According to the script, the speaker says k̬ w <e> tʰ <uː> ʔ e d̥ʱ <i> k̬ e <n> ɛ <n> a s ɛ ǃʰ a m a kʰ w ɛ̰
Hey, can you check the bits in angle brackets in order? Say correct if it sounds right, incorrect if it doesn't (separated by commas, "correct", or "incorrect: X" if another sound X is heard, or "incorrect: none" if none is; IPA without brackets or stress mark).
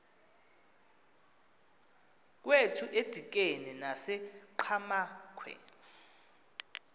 correct, incorrect: u, correct, correct, correct